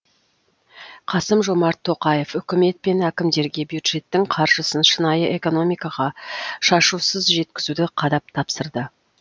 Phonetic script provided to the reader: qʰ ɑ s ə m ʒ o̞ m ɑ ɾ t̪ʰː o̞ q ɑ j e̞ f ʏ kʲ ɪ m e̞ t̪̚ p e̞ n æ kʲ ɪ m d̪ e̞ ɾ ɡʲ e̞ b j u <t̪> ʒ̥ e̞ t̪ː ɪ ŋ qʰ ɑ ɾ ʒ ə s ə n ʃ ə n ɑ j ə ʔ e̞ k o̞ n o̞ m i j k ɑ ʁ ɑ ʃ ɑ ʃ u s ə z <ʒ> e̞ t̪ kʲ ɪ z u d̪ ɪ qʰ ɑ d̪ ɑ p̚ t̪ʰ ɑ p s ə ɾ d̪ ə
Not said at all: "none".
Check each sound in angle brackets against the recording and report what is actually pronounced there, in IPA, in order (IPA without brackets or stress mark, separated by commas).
d̪, ʒ